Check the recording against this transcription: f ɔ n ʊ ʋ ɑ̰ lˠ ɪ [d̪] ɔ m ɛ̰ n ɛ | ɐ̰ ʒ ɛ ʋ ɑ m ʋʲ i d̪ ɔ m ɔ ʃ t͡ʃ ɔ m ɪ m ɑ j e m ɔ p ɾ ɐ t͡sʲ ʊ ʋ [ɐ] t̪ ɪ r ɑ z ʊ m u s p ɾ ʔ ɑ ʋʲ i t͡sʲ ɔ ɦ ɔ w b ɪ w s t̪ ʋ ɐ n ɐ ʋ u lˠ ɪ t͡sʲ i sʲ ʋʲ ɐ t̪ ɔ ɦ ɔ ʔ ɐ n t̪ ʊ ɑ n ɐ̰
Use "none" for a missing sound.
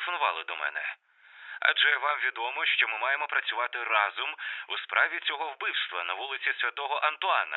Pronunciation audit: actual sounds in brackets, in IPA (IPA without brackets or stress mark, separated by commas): d̪, ɑ